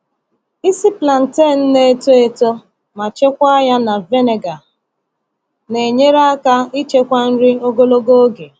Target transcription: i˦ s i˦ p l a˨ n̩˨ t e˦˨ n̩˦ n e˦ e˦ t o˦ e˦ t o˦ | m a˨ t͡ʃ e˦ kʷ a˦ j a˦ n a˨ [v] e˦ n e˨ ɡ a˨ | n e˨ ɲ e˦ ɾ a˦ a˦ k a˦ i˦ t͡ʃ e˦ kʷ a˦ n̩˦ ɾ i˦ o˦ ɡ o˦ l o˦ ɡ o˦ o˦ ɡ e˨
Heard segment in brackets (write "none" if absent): v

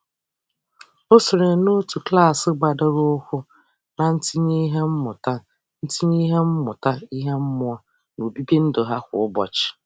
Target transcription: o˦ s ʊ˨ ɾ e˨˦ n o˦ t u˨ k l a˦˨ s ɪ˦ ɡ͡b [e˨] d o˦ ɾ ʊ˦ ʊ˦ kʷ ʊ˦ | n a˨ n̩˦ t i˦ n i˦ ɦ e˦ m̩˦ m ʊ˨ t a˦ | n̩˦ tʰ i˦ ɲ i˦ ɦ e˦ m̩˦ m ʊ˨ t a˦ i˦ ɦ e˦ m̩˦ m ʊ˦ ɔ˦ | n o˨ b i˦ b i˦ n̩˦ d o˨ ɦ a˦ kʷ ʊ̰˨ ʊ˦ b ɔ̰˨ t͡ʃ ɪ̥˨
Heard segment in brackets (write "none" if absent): a˨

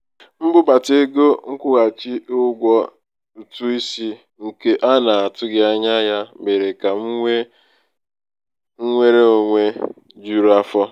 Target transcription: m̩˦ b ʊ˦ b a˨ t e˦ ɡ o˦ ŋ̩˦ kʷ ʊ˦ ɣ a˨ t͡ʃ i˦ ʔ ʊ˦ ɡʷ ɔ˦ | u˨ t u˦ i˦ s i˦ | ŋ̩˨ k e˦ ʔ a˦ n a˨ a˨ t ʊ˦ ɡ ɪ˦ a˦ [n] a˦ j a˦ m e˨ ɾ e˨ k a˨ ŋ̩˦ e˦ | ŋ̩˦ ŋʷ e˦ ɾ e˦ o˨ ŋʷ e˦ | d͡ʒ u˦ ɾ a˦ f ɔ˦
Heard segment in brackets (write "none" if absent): ɲ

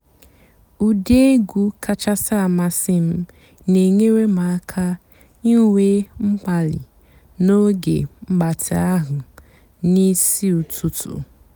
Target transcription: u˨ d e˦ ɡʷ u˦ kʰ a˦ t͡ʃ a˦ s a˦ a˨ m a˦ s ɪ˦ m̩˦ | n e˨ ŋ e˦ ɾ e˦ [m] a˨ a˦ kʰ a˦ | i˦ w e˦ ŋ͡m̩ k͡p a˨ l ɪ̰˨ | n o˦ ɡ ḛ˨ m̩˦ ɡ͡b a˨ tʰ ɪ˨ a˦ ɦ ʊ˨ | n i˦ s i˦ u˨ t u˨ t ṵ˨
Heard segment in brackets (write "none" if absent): m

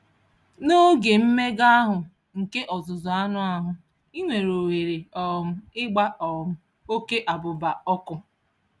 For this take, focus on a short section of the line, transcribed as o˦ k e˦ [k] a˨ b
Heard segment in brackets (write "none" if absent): ʔ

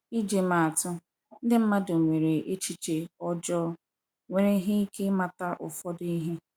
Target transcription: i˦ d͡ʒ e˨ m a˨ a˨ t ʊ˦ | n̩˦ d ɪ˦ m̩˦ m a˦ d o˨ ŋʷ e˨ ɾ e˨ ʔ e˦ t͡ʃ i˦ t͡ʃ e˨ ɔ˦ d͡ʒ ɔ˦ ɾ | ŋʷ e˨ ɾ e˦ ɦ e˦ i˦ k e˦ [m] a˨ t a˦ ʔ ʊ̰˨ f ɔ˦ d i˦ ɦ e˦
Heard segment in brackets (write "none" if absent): m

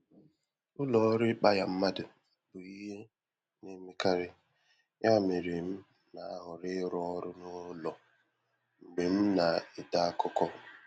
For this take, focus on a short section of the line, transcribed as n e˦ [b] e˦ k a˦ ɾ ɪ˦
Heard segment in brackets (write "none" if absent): m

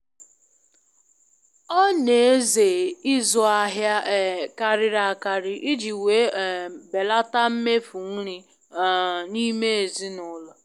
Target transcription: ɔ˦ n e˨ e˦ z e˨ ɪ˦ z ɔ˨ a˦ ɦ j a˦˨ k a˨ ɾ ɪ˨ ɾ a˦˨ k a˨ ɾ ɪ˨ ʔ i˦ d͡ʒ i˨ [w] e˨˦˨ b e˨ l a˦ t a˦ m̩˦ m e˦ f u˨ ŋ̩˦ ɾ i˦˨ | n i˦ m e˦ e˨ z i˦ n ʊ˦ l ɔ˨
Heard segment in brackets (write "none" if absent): w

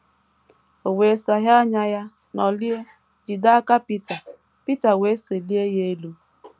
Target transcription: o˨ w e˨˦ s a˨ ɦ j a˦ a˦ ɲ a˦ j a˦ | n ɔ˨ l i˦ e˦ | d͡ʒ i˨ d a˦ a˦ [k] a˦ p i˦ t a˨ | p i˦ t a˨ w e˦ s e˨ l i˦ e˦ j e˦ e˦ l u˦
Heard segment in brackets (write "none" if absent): k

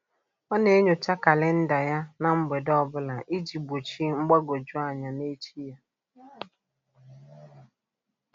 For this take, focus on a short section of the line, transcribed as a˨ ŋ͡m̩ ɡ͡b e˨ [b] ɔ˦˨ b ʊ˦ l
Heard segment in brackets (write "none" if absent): d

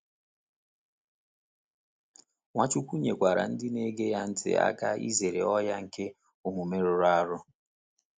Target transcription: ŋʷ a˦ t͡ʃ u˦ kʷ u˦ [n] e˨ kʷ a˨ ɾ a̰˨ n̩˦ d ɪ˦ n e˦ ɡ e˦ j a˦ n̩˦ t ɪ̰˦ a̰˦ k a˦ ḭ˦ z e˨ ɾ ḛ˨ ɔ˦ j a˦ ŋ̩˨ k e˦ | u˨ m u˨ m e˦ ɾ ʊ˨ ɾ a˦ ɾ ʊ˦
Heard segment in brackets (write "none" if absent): ɲ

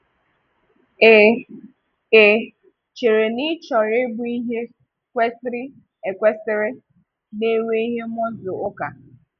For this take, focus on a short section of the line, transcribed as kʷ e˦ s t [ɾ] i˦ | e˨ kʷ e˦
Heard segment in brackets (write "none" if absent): ɾ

